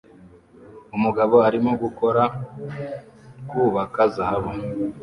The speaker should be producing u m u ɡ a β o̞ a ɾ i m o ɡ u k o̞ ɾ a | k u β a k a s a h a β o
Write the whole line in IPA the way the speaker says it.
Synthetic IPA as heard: u m u ɡ a β o̞ a ɾ i m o ɡ u k o̞ ɾ a | k u β a k a z a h a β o